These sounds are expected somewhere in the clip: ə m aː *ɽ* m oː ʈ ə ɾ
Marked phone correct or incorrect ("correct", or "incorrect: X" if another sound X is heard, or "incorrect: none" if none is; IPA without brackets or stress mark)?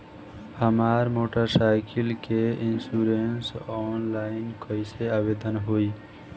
incorrect: ɾ